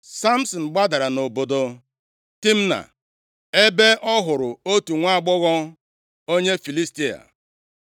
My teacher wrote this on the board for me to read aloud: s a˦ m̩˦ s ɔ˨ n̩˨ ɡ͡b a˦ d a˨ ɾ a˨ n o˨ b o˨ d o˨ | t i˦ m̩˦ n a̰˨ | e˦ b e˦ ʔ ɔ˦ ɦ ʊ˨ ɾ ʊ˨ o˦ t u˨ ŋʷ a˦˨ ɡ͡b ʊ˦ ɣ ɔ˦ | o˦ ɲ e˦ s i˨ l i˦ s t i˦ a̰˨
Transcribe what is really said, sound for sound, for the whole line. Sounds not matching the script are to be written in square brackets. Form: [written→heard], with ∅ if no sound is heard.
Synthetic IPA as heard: s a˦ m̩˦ s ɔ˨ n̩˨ ɡ͡b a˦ d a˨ ɾ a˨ n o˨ b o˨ d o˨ | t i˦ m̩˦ n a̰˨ | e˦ b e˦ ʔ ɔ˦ ɦ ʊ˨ ɾ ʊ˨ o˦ t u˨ ŋʷ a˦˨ ɡ͡b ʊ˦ ɣ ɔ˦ | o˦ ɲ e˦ [s→f] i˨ l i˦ s t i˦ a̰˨